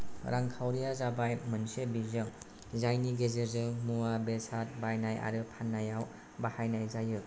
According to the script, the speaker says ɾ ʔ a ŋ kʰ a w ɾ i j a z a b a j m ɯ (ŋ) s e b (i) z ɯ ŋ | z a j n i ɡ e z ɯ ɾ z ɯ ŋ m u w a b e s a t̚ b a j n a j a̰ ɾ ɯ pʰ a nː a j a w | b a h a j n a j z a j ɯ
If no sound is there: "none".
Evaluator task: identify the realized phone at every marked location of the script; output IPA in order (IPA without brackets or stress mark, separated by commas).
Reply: n, i